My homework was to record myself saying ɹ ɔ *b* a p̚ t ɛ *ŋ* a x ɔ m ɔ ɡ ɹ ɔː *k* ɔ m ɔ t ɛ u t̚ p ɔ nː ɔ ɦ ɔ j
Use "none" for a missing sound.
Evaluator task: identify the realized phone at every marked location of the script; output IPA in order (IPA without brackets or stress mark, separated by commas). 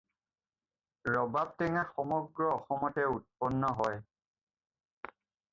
b, ŋ, x